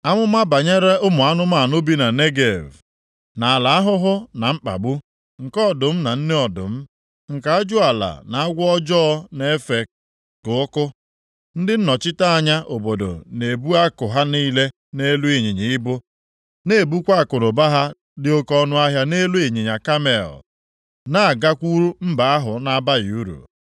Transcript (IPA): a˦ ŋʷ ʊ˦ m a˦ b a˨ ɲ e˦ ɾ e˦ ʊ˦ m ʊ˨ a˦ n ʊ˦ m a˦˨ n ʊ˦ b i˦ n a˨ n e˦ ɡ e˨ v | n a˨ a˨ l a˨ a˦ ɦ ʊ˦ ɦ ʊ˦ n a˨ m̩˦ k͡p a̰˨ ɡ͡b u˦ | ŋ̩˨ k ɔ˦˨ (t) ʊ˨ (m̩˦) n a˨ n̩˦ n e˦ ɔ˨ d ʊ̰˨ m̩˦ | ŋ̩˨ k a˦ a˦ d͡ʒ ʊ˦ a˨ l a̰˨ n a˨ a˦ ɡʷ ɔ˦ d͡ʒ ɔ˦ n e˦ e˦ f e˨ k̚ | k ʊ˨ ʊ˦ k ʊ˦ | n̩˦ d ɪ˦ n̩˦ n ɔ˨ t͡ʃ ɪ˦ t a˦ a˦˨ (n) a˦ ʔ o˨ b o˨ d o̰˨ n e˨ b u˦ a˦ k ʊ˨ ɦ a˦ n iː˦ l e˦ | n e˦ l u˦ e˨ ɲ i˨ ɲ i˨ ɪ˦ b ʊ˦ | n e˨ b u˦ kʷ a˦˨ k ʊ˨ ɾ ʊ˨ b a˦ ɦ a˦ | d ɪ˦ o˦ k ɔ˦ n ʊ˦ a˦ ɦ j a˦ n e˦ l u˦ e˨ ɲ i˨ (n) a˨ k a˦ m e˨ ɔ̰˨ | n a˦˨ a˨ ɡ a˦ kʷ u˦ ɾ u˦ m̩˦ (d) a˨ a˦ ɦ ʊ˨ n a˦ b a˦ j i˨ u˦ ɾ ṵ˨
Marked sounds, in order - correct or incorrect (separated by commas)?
incorrect, correct, incorrect, incorrect, incorrect